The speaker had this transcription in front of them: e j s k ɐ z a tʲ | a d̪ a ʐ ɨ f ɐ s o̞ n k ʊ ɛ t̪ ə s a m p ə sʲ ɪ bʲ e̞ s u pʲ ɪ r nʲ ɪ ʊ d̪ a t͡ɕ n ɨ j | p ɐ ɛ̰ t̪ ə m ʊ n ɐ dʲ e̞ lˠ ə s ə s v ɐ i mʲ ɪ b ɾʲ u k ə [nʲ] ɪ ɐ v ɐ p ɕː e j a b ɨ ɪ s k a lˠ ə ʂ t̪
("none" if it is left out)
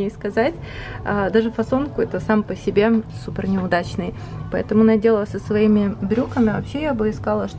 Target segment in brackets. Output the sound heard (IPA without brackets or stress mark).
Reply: mʲ